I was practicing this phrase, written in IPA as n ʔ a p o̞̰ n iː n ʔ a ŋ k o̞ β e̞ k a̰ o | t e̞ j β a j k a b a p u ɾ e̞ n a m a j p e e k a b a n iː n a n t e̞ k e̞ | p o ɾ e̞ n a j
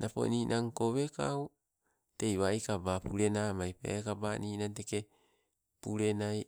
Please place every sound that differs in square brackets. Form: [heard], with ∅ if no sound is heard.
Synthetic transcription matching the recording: n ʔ a p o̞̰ n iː n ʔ a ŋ k o̞ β e̞ k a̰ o | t e̞ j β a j k a b a p u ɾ e̞ n a m a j p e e k a b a n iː n a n t e̞ k e̞ | p [u] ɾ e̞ n a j

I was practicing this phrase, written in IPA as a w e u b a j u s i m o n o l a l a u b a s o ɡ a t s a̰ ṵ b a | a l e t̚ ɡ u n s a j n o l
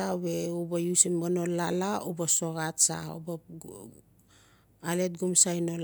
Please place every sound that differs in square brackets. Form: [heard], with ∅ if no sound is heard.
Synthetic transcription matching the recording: a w e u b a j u s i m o n o l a l a u b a s o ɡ a t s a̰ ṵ b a | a l e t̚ ɡ u [m] s a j n o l

